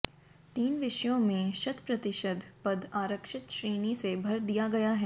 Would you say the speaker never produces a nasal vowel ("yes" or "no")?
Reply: no